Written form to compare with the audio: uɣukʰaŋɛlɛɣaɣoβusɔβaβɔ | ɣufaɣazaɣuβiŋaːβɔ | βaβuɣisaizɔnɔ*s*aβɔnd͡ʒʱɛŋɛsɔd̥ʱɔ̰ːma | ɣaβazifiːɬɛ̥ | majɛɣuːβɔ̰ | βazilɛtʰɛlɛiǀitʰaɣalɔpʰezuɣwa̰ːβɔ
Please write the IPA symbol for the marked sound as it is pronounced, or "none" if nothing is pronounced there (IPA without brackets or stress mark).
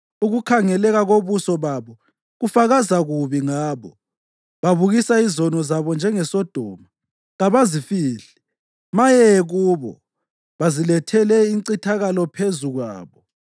z